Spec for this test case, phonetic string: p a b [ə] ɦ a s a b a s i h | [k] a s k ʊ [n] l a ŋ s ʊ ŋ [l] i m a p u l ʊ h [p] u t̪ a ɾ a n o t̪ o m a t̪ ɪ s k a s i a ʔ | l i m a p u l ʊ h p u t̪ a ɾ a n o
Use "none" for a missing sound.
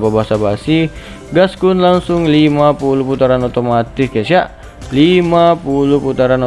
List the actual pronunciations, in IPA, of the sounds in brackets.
a, ɡ, n, l, p

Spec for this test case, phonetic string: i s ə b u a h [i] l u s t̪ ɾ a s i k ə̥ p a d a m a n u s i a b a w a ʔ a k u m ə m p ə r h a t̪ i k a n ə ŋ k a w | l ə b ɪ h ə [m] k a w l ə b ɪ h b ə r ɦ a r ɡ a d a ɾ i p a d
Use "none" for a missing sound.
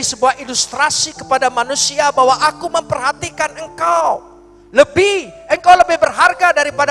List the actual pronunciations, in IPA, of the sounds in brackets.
i, ŋ

